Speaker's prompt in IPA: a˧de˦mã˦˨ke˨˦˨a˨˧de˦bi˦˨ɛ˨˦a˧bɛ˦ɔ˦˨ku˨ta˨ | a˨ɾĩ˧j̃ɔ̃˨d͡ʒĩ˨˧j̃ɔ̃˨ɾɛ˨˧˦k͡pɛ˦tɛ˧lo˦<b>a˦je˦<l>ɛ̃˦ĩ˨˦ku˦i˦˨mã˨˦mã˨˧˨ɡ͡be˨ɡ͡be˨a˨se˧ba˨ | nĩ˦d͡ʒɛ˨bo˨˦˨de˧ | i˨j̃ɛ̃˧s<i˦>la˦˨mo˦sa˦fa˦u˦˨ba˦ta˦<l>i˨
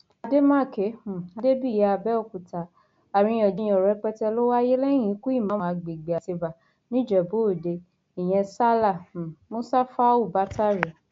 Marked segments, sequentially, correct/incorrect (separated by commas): incorrect, correct, incorrect, incorrect